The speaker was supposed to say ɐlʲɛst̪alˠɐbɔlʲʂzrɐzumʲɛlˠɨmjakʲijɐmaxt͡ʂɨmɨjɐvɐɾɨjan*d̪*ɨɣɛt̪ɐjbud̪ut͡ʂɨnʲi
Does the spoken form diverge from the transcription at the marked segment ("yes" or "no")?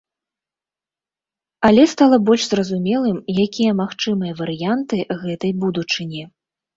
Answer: yes